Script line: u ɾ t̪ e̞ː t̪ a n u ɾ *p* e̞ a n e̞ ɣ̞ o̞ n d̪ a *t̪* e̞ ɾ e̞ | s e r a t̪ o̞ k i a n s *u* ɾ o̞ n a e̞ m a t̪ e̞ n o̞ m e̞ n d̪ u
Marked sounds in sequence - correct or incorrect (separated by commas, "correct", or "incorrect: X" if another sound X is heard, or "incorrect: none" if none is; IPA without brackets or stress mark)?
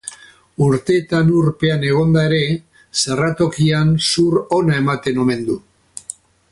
correct, incorrect: none, correct